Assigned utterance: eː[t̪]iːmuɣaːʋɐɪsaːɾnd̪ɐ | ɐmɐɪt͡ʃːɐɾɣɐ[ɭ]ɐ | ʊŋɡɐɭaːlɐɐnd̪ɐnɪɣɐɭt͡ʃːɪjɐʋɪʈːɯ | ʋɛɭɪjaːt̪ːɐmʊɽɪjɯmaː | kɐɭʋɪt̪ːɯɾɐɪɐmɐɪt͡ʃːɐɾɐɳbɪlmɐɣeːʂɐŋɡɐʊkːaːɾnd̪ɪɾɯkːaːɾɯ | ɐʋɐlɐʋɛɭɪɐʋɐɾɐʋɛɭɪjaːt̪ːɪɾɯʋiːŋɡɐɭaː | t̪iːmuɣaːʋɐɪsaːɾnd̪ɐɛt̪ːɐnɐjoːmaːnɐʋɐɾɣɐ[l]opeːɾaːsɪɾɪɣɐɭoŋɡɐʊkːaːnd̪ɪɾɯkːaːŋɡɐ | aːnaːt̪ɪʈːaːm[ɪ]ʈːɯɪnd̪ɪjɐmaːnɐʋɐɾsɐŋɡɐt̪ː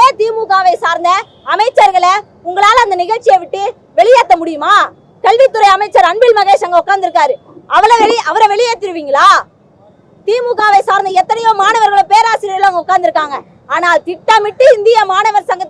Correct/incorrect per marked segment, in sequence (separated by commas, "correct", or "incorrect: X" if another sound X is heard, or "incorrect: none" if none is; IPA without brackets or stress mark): correct, correct, incorrect: ɭ, correct